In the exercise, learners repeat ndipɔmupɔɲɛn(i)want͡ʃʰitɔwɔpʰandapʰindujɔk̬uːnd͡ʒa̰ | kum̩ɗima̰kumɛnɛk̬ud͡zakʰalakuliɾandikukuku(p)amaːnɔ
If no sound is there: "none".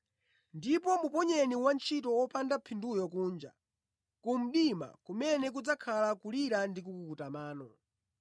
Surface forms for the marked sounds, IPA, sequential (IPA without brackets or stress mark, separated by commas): i, t